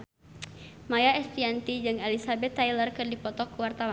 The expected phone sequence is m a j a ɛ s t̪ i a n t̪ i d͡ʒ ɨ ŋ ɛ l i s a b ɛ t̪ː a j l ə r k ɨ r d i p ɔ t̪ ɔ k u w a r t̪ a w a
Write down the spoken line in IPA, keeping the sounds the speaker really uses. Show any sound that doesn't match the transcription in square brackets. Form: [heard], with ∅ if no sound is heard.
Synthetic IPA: m a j a ɛ s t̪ i a n t̪ i d͡ʒ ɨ ŋ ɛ l i s a b ɛ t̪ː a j l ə r k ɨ r d i p ɔ t̪ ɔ k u w a r t̪ a w a